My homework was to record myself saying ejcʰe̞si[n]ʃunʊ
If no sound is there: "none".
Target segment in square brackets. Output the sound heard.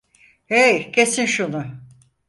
n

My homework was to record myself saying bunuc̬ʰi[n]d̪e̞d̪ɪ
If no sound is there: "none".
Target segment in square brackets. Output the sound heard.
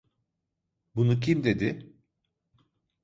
m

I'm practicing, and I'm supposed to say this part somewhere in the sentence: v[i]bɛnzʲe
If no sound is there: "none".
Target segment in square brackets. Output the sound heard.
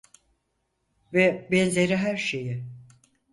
ɛ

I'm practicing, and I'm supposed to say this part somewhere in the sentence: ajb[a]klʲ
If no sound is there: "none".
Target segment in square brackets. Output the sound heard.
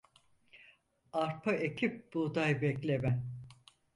ɛ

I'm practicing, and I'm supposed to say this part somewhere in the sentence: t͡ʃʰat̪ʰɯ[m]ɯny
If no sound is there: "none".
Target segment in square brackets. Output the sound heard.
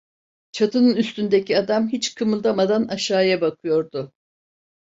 n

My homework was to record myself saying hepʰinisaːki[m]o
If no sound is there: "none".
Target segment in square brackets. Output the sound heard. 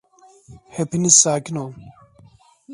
n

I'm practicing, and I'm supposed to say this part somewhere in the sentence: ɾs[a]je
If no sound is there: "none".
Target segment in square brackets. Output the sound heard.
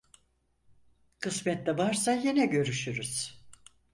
a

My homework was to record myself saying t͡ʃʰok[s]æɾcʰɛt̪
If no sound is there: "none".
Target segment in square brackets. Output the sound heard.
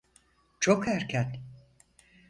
h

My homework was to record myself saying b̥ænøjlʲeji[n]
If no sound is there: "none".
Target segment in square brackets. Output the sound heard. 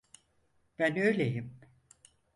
m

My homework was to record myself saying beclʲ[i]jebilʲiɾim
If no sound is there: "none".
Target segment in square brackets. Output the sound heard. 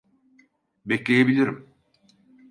e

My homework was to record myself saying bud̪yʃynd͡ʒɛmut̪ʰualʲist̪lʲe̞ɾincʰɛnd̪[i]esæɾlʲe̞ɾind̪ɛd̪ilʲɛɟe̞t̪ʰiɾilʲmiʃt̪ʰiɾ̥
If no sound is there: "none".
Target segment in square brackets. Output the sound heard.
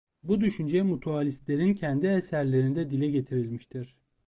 i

